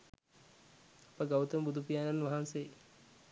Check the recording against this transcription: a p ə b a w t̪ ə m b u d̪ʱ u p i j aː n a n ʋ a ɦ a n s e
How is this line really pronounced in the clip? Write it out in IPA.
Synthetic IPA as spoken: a p ə ɡ a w t̪ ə m b u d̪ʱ u p i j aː n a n ʋ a ɦ a n s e

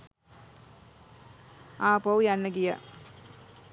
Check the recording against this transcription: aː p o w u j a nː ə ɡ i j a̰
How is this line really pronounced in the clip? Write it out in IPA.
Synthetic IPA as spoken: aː p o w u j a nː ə ɡ i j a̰

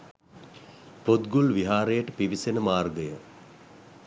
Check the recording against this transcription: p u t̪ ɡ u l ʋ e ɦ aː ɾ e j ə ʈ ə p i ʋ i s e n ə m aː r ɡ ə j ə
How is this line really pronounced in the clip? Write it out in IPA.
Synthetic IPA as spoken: p o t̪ ɡ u l ʋ i ɦ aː ɾ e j ə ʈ ə p i ʋ i s e n ə m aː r ɡ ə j ə

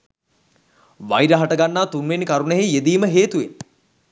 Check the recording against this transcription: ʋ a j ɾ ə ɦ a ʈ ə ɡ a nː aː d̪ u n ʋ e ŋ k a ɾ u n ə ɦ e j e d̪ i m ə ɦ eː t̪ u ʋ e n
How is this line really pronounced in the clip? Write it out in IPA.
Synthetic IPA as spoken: ʋ a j ɾ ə ɦ a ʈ ə ɡ a nː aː t̪ u n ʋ e n k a ɾ u n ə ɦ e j e d̪ iː m ə ɦ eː t̪ u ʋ e n

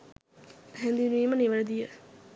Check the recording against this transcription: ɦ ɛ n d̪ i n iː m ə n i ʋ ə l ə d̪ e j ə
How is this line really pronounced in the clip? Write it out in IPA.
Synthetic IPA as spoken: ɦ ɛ n d̪ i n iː m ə n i ʋ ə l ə d̪ i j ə

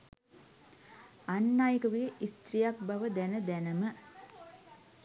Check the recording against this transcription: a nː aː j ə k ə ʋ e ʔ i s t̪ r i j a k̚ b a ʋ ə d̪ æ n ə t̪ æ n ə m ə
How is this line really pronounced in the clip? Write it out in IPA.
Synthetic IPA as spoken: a nː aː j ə k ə ʋ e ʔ i s t̪ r i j a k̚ b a ʋ ə d̪ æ n ə d̪ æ n ə m ə

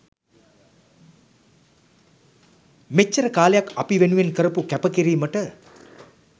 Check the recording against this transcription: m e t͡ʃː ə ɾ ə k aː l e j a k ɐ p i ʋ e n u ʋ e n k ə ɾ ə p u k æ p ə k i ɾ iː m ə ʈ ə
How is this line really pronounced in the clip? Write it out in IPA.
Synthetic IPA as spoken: m e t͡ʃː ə ɾ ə k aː l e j a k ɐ p i ʋ e n u ʋ e n k ə ɾ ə p u k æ p ə k i ɾ iː m ə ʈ ə

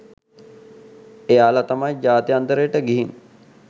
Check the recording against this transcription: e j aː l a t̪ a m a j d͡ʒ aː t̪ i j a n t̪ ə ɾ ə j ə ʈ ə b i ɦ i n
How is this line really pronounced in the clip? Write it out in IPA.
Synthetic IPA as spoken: e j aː l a t̪ a m a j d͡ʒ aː t̪ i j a n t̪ ə ɾ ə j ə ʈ ə ɡ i ɦ i n

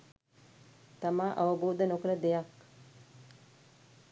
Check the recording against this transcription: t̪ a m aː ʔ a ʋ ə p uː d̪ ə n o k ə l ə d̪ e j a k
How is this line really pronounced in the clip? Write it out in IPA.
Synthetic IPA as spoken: t̪ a m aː ʔ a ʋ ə b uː d̪ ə n o k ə l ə d̪ e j a k

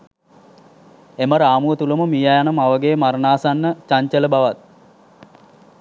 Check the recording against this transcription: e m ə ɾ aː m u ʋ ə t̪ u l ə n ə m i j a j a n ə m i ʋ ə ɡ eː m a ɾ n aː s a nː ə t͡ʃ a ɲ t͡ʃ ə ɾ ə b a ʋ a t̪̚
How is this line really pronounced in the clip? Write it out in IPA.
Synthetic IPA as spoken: e m ə ɾ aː m u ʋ ə t̪ u l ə m ə m i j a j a n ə m a ʋ ə ɡ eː m a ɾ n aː s a nː ə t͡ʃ a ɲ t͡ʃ ə l ə b a ʋ a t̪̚

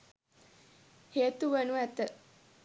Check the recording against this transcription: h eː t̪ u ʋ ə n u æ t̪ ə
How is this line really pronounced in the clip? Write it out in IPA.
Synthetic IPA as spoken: h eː t̪ u ʋ ə n u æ t̪ ə

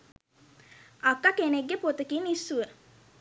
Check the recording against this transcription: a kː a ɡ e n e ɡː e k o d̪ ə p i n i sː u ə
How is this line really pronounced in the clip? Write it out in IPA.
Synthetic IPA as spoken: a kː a k e n e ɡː e p o t̪ ə k i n i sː u ə

